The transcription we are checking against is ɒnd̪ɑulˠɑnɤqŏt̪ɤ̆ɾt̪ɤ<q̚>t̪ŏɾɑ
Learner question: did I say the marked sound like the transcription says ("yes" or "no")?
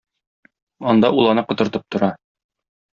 no